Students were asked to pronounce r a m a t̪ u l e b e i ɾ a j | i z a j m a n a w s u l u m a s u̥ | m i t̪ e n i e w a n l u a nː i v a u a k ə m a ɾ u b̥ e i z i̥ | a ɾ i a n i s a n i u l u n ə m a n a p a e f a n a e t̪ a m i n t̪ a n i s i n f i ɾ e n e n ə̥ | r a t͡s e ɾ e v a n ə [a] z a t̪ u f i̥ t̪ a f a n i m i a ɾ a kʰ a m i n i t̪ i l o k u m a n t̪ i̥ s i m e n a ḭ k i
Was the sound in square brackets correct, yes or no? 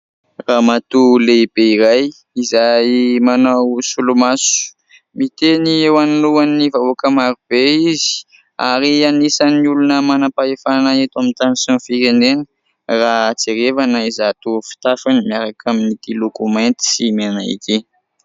no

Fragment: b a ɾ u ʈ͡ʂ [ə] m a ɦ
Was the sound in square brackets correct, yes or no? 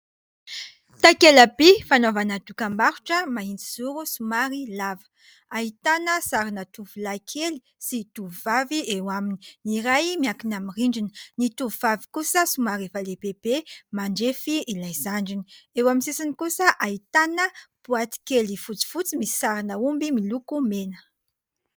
yes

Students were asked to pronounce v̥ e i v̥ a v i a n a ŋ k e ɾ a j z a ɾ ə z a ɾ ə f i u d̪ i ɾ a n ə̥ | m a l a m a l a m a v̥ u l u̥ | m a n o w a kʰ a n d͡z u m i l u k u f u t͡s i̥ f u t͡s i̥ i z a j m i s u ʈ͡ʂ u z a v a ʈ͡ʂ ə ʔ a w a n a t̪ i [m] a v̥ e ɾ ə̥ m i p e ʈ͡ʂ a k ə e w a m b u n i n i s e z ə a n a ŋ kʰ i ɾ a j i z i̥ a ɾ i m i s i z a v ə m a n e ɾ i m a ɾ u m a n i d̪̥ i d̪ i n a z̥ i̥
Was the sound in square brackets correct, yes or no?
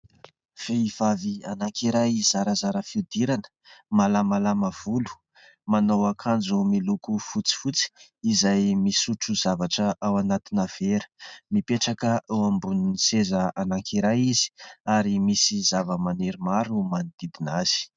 no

